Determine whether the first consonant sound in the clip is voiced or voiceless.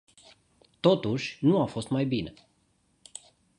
voiceless